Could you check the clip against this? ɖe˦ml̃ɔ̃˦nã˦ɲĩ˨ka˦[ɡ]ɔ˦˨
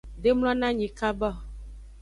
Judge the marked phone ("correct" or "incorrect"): incorrect